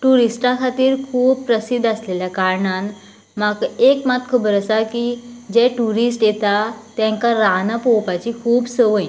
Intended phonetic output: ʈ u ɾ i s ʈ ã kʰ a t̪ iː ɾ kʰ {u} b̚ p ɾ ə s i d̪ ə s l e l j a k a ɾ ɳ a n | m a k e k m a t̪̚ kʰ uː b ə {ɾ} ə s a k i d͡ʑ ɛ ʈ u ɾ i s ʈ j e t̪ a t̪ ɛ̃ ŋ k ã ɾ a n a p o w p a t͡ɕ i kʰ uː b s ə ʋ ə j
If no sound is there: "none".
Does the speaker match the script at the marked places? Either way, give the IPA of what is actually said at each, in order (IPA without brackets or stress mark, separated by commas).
uː, ɾ